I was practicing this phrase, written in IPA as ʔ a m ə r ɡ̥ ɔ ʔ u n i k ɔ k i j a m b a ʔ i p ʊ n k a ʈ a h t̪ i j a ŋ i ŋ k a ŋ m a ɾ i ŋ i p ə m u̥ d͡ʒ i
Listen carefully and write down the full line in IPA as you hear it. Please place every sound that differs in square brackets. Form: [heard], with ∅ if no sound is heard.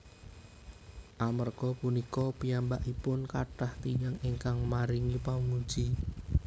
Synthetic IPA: ʔ a m ə r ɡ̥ ɔ [p] u n i k ɔ [p] i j a m b a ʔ i p ʊ n k a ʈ a h t̪ i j a ŋ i ŋ k a ŋ m a ɾ i ŋ i p [a] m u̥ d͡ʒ i